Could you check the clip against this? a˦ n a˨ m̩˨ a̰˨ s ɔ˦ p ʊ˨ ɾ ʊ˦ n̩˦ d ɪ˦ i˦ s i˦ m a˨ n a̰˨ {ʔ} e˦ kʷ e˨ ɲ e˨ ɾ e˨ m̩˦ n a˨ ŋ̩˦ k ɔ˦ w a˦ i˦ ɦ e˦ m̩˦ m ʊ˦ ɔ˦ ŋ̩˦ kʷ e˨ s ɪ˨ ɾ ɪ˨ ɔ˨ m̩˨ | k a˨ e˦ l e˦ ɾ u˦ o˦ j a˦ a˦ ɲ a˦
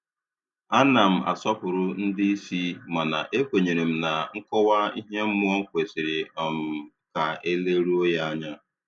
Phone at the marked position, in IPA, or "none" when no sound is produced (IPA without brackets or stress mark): ʔ